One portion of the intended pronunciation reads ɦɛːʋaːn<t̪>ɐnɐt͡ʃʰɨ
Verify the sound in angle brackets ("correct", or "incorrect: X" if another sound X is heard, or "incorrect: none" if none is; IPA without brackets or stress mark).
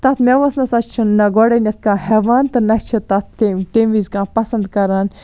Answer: correct